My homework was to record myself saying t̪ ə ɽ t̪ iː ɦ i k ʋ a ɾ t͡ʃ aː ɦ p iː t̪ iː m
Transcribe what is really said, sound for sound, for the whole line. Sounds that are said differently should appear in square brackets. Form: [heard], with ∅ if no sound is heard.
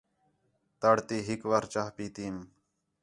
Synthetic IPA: t̪ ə ɽ t̪ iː ɦ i k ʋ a ɾ t͡ʃ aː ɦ p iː t̪ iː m

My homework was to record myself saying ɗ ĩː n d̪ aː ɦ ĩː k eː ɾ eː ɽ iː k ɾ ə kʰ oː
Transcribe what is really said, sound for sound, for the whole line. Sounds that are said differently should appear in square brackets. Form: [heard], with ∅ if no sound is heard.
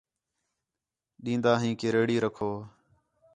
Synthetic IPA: ɗ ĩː n d̪ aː ɦ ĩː k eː ɾ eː ɽ iː [∅] ɾ ə kʰ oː

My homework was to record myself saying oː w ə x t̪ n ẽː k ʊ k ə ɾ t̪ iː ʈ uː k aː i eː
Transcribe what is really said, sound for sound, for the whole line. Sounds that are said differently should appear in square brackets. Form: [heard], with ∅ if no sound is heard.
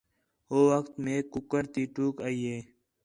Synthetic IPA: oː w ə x t̪ [m] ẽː k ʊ k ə ɾ t̪ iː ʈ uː k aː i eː

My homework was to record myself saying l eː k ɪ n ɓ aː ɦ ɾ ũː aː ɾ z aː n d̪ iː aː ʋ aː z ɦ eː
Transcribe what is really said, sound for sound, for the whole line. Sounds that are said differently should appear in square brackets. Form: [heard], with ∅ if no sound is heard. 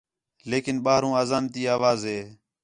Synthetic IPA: l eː k ɪ n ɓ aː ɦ ɾ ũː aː [∅] z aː n [t̪] iː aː ʋ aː z ɦ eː

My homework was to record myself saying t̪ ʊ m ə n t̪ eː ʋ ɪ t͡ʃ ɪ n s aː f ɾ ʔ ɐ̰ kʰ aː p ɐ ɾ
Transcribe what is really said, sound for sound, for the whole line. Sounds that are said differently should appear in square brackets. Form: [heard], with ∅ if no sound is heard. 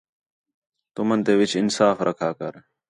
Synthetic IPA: t̪ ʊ m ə n t̪ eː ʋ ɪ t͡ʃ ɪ n s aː f ɾ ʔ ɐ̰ kʰ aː [k] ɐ ɾ

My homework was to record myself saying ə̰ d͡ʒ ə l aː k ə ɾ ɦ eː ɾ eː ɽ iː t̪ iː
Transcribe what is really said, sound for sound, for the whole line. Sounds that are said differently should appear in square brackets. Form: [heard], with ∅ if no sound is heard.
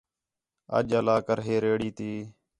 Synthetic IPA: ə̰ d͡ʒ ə l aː k ə ɾ ɦ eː ɾ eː ɽ iː t̪ iː

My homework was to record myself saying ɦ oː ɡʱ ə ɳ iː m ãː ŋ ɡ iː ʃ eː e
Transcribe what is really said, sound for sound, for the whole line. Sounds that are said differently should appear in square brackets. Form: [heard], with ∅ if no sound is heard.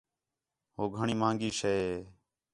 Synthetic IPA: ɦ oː ɡʱ ə ɳ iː m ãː ŋ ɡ iː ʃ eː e

